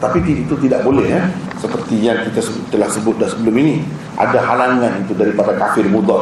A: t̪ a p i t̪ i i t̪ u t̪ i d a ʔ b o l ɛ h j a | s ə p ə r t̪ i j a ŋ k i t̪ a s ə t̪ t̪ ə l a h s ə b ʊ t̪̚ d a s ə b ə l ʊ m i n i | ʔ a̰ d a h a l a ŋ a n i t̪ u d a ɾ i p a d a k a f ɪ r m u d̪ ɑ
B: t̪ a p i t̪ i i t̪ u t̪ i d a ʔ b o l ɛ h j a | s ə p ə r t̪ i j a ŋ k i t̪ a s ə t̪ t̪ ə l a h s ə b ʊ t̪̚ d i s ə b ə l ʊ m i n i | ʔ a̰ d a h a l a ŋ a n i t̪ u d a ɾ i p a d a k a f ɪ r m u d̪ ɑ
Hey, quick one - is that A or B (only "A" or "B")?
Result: A